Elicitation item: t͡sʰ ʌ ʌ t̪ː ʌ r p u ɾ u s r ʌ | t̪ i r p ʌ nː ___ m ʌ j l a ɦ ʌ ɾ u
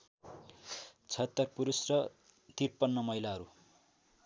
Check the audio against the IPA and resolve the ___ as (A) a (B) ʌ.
B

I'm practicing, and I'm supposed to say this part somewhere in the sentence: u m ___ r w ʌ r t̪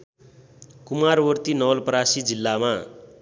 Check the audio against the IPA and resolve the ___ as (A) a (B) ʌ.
A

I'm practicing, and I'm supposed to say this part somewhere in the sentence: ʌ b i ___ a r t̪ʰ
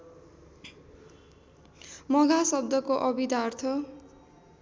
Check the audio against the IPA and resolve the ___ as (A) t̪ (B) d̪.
B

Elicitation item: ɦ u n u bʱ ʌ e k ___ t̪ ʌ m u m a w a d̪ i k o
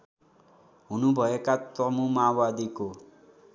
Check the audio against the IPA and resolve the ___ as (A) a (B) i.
A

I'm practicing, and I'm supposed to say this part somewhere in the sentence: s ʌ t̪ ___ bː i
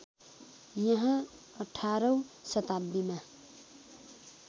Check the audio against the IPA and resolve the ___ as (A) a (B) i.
A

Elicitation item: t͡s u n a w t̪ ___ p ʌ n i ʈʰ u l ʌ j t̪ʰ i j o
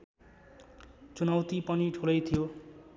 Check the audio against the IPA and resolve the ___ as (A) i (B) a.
A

